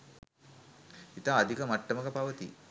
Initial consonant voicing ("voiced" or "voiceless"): voiceless